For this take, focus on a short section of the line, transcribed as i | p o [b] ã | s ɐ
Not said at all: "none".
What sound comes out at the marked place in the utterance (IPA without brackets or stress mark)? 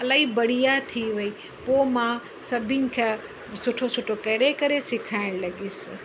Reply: m